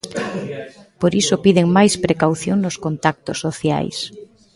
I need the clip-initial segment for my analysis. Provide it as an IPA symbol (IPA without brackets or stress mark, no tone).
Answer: p